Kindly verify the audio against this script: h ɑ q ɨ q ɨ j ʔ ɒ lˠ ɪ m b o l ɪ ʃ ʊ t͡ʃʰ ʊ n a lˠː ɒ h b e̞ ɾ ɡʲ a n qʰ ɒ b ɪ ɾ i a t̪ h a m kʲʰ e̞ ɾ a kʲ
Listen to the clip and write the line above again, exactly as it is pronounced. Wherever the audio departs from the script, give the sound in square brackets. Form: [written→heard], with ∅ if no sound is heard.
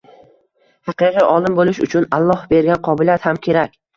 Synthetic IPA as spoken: h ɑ q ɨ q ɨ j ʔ ɒ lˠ ɪ m b o l ɪ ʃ ʊ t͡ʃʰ ʊ n a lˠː ɒ h b e̞ ɾ ɡʲ a n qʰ ɒ b ɪ [ɾ→l] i a t̪ h a m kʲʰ e̞ ɾ a kʲ